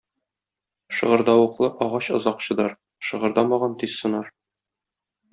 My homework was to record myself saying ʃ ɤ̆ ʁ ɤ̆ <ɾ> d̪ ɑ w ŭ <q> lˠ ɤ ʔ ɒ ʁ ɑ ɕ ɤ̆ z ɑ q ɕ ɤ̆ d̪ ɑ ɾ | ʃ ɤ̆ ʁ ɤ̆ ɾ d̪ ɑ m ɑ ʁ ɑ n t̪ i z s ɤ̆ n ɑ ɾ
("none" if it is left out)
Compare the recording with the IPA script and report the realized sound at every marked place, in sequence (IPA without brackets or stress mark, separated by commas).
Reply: ɾ, q